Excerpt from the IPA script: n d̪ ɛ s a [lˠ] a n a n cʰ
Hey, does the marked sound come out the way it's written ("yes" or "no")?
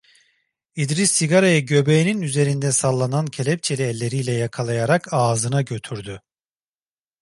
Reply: no